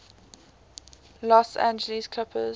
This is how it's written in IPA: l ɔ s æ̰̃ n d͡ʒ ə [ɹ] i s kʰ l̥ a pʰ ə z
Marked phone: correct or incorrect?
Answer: incorrect